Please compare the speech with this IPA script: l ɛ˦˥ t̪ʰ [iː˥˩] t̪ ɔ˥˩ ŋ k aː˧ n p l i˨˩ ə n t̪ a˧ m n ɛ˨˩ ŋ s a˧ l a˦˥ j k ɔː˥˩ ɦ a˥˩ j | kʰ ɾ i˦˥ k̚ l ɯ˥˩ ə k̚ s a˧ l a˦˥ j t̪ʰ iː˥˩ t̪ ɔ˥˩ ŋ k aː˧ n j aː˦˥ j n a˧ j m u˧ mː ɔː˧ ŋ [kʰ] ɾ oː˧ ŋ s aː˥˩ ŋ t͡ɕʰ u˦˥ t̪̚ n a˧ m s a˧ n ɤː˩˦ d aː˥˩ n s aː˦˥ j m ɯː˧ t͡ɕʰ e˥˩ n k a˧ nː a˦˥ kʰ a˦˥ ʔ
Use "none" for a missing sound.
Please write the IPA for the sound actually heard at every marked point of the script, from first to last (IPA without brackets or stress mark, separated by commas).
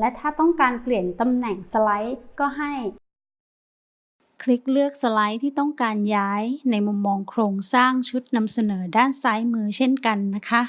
aː˥˩, kʰ